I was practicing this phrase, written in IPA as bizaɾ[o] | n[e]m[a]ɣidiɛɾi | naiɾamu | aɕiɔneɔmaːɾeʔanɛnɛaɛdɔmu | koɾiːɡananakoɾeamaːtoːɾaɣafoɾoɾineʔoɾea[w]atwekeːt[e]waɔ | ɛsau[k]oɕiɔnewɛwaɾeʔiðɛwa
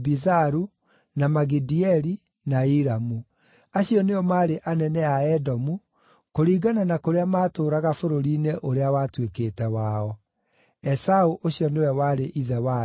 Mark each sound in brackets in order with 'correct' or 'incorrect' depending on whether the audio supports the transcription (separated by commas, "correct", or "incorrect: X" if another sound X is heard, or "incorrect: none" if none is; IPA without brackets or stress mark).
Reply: incorrect: u, incorrect: a, correct, correct, incorrect: ɛ, incorrect: ʔ